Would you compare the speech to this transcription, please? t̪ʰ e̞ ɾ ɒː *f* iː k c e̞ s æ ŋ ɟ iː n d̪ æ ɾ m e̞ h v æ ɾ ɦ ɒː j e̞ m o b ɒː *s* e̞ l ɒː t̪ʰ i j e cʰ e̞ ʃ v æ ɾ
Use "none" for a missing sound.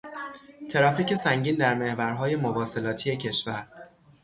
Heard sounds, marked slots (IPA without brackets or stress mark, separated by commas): f, s